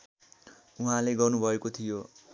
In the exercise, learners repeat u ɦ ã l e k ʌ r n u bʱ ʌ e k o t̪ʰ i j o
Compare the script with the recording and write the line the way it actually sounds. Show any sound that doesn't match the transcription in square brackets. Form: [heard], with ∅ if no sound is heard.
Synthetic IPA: u ɦ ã l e [ɡ] ʌ r n u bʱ ʌ e k o t̪ʰ i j o